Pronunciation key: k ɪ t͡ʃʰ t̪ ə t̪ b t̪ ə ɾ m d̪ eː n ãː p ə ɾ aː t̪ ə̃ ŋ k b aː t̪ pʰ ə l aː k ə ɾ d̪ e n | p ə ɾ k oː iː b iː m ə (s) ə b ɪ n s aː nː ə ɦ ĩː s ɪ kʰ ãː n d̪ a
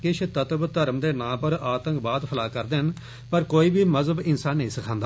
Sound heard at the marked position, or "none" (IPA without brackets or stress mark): z